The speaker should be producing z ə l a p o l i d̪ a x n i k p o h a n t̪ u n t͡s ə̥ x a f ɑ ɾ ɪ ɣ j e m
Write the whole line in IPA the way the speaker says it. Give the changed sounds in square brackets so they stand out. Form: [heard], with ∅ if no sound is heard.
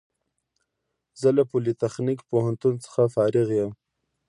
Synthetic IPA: z ə l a p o l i [t̪] a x n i k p o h a n t̪ u n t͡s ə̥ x a f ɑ ɾ ɪ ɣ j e m